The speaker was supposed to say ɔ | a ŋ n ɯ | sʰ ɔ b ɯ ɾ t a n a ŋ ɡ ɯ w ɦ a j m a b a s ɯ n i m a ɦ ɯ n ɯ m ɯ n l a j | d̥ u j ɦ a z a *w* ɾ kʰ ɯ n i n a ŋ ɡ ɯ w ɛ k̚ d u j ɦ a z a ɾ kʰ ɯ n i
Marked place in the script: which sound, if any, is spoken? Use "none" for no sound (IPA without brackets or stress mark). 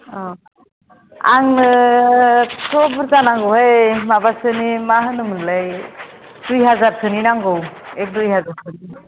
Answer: none